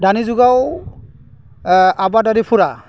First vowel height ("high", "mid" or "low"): low